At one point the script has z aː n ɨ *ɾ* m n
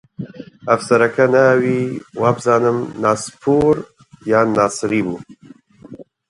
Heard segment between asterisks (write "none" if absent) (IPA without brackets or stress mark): none